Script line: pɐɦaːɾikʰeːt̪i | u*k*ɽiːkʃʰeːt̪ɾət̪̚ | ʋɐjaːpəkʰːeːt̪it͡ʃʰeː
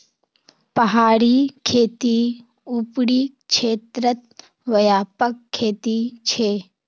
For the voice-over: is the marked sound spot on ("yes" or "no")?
no